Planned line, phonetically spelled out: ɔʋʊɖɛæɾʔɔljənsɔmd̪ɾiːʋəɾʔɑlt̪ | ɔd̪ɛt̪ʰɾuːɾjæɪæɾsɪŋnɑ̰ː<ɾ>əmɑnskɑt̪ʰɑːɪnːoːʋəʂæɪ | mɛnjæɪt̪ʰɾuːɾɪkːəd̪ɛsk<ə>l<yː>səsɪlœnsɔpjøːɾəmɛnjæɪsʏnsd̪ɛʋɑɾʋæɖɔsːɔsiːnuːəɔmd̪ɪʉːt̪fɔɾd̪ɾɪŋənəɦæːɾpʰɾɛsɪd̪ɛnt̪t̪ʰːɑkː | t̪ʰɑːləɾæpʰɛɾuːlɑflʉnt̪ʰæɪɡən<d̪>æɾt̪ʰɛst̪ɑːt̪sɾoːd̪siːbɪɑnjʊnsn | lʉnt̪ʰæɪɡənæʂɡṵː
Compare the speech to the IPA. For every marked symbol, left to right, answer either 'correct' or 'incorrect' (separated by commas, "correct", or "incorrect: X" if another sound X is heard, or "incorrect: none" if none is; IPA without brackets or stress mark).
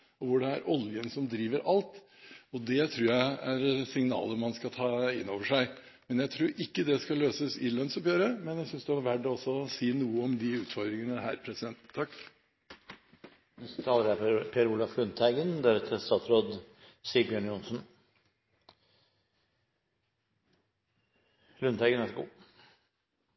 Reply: incorrect: l, incorrect: ɑ, incorrect: øː, correct